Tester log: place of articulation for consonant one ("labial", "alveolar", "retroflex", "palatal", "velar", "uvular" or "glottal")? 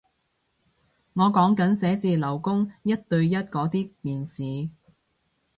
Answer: velar